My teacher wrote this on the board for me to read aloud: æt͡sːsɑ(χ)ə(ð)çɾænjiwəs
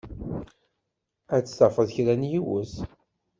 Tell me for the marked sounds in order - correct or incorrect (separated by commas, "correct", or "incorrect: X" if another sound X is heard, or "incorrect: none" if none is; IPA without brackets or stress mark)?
incorrect: f, correct